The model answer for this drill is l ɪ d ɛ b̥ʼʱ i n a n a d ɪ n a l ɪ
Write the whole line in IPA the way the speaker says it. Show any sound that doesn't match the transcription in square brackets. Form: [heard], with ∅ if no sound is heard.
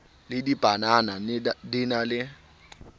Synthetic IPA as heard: l ɪ d [i] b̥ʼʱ [a] n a n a d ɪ n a l ɪ

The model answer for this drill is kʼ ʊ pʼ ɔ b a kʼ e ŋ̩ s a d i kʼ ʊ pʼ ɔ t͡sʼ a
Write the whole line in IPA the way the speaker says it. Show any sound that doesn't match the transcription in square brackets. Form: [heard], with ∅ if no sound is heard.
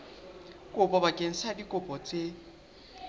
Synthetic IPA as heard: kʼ ʊ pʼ ɔ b a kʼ e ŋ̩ s a d i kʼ ʊ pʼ ɔ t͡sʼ [e]

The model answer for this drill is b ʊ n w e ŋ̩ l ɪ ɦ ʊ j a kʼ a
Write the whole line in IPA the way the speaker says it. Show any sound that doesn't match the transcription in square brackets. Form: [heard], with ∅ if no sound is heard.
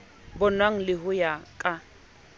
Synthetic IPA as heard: b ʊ n w [a] ŋ̩ l ɪ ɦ ʊ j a kʼ a

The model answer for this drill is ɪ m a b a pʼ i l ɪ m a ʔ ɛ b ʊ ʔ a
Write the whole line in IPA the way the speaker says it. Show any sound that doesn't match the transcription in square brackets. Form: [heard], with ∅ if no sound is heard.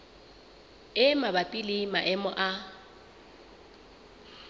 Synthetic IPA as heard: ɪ m a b a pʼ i l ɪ m a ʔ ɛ [m] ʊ ʔ a

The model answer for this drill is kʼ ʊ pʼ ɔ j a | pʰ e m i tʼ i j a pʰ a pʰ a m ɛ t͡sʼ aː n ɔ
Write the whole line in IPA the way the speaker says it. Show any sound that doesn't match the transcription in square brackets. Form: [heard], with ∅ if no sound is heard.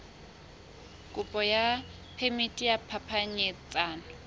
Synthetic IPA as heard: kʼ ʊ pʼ ɔ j a | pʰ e m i tʼ i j a pʰ a pʰ a [ɲ] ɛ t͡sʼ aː n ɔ

